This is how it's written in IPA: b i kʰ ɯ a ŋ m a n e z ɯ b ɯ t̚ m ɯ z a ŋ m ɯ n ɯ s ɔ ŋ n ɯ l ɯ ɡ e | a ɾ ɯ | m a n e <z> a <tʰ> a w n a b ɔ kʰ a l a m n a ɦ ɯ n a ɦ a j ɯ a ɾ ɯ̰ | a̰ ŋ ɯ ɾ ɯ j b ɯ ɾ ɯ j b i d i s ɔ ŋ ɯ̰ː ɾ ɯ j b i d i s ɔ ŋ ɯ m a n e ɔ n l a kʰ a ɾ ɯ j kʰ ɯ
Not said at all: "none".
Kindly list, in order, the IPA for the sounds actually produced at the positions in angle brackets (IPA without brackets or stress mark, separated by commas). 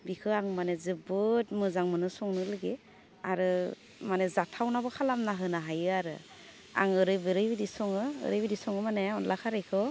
z, tʰ